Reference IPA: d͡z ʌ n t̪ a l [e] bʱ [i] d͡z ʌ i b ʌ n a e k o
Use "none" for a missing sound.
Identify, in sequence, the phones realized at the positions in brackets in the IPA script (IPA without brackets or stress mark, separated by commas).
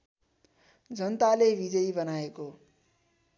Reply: e, i